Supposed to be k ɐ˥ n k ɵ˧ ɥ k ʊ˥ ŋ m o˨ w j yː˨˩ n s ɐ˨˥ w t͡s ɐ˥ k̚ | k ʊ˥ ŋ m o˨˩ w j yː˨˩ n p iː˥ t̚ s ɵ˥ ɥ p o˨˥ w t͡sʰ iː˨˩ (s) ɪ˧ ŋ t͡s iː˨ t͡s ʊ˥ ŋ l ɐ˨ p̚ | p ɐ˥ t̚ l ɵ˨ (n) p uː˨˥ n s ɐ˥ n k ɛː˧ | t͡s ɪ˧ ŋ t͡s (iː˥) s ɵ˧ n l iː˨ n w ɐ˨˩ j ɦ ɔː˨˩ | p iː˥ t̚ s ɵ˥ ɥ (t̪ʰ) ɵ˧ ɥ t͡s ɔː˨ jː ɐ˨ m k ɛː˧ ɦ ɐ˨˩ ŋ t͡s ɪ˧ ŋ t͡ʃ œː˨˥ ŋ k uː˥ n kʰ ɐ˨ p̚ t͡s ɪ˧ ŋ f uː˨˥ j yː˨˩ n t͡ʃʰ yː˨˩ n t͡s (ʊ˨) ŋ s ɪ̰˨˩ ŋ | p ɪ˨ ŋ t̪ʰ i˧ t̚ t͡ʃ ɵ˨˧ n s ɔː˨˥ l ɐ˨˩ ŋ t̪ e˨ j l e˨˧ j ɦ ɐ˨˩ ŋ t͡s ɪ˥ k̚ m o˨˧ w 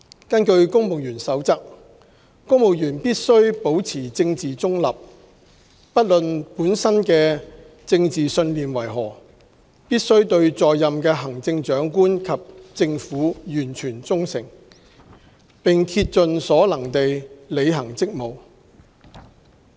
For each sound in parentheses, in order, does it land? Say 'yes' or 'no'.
no, yes, no, no, no

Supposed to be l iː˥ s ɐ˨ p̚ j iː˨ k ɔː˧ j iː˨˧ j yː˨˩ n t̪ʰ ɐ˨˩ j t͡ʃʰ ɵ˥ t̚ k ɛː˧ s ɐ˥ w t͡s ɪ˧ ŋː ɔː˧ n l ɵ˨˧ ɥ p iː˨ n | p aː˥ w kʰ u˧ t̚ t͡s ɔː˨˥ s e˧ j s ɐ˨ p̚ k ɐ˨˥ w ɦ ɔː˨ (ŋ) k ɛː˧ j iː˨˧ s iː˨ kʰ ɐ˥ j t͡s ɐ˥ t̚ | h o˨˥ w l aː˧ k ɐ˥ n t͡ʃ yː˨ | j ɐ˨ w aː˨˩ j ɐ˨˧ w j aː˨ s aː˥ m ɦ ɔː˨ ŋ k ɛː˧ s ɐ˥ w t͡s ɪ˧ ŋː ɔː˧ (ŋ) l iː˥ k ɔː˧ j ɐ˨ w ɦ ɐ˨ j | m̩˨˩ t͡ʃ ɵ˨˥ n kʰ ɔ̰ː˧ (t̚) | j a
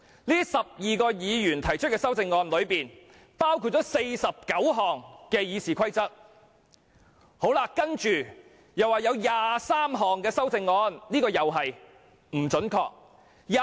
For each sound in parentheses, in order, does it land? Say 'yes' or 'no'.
yes, no, no

